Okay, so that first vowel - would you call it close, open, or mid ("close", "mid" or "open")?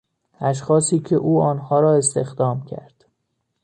open